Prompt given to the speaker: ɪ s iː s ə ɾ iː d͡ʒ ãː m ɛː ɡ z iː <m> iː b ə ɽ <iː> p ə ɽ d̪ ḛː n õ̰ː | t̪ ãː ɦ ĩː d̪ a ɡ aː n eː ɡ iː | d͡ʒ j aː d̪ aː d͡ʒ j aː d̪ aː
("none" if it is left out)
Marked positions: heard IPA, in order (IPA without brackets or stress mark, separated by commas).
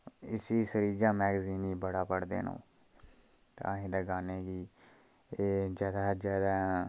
n, aː